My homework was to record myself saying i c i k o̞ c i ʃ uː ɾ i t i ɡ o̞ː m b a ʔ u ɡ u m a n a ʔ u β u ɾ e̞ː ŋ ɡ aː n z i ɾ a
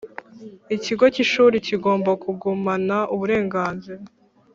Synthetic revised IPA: i c i ɡ o̞ c i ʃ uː ɾ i c i ɡ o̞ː m b a k u ɡ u m a n a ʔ u β u ɾ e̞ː ŋ ɡ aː n z i ɾ a